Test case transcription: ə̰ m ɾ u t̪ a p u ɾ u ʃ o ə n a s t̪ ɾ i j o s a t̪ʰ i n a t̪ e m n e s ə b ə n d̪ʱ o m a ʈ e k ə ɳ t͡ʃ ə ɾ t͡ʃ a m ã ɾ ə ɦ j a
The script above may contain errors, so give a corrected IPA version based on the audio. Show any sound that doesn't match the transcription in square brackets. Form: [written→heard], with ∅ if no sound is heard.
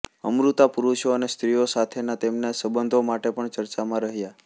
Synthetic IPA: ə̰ m ɾ u t̪ a p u ɾ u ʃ o ə n [a→e] s t̪ ɾ i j o s a t̪ʰ [i→e] n a t̪ e m n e s ə b ə n d̪ʱ o m a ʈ e [k→p] ə ɳ t͡ʃ ə ɾ t͡ʃ a m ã ɾ ə ɦ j a